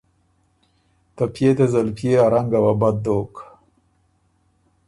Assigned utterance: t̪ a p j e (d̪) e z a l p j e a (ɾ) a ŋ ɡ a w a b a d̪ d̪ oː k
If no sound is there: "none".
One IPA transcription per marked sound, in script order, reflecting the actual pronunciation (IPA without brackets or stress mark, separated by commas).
t̪, ɾ